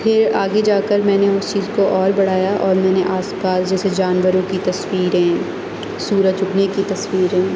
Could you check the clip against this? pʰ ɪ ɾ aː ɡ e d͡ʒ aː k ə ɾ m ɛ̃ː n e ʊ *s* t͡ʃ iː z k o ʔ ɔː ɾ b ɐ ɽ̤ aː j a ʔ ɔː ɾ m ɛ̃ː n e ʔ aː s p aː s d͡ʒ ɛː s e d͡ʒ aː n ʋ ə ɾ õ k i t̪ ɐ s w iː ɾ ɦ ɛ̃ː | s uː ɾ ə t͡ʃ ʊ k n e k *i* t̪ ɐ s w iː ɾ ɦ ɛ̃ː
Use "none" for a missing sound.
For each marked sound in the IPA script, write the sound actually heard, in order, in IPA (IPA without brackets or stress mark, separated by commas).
s, i